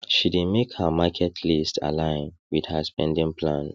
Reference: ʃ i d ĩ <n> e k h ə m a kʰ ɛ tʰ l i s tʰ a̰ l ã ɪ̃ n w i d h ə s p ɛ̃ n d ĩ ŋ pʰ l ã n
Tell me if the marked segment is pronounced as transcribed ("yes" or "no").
no